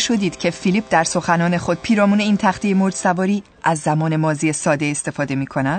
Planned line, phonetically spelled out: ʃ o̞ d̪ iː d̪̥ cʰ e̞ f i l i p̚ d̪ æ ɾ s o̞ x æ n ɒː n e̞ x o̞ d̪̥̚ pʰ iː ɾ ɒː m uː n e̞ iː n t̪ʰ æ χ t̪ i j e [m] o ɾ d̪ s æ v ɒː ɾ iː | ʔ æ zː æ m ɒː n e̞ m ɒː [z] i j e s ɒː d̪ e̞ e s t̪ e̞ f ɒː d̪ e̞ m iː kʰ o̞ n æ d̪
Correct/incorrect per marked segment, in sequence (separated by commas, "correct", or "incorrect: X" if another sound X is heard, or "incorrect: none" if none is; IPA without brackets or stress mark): correct, correct